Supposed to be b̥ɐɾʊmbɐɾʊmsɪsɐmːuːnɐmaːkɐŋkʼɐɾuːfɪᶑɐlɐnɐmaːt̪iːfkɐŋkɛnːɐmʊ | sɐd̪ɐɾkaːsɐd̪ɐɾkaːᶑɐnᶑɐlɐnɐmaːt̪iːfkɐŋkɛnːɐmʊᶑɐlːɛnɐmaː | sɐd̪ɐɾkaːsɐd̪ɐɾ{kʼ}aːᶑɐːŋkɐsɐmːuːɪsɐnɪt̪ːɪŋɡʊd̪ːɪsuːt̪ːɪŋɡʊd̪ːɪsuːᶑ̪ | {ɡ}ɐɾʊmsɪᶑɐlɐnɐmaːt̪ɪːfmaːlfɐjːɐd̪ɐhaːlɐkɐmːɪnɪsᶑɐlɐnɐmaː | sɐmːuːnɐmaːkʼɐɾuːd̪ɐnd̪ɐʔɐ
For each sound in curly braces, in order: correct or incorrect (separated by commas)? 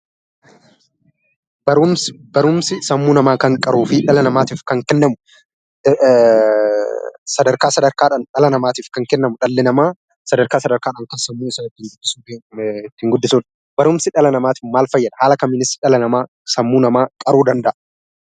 incorrect, incorrect